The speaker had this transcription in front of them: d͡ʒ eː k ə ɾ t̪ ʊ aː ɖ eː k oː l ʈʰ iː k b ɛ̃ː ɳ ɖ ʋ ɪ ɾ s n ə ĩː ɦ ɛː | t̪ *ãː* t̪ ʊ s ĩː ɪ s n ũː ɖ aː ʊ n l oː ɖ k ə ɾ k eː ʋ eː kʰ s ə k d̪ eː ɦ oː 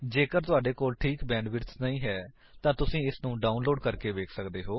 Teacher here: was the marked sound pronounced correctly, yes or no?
yes